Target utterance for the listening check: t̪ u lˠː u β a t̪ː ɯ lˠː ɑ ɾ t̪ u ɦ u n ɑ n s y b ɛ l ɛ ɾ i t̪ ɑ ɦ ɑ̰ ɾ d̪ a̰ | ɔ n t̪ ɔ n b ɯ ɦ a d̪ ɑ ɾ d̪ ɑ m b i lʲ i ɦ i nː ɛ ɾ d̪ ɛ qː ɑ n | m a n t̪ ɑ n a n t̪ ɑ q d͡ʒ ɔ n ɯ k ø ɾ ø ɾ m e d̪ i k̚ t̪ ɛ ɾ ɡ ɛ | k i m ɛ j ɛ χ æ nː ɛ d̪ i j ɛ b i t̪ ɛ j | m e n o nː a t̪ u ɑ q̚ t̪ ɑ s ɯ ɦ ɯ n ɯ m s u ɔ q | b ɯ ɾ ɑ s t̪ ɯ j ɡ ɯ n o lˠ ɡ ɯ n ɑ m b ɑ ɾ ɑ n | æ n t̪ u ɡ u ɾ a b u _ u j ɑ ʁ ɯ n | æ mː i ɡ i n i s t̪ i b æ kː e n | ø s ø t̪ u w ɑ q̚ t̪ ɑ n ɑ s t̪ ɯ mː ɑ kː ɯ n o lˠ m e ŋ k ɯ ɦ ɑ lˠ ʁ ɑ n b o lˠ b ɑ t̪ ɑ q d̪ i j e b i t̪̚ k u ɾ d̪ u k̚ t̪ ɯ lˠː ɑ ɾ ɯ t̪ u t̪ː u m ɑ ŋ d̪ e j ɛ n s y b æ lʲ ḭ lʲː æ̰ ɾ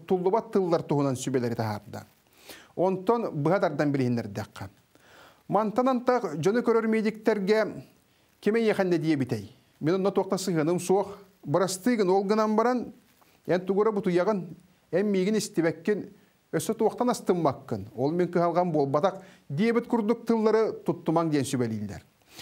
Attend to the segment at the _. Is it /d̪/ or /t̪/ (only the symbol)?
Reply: t̪